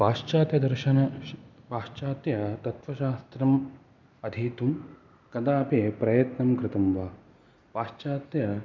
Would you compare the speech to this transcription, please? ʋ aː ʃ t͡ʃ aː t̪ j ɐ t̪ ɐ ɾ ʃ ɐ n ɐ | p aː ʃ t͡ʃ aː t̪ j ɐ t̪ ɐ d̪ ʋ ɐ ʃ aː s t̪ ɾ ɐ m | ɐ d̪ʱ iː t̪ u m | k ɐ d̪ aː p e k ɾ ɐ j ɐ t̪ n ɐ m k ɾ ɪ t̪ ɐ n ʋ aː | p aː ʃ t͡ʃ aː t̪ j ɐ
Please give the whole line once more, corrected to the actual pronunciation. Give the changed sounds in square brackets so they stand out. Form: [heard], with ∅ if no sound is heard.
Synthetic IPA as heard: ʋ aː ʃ t͡ʃ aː t̪ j ɐ [d̪] ɐ ɾ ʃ ɐ n ɐ | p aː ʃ t͡ʃ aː t̪ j ɐ t̪ ɐ [t̪] ʋ ɐ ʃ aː s t̪ ɾ ɐ m | ɐ d̪ʱ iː t̪ u m | k ɐ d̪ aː p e [p] ɾ ɐ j ɐ t̪ n ɐ m k ɾ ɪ t̪ ɐ [m] ʋ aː | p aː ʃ t͡ʃ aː t̪ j ɐ